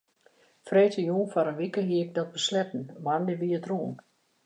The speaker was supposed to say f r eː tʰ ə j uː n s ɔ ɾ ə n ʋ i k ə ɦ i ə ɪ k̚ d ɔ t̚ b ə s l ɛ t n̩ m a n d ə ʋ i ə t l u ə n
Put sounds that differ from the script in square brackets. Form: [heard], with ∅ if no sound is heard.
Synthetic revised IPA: f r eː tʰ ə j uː n [f] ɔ ɾ ə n ʋ i k ə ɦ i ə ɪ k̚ d ɔ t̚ b ə s l ɛ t n̩ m a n d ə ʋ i ə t [r] u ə n